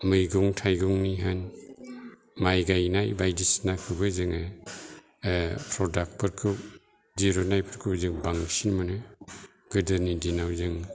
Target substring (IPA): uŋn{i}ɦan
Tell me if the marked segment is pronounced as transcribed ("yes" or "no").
yes